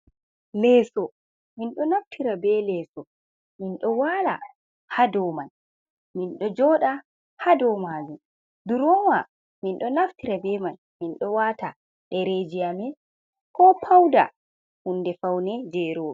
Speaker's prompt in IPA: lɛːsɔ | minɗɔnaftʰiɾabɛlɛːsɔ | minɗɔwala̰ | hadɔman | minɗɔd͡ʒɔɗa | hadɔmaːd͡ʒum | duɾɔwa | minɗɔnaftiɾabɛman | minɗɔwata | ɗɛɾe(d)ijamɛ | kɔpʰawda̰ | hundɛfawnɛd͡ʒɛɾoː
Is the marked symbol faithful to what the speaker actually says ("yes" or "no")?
no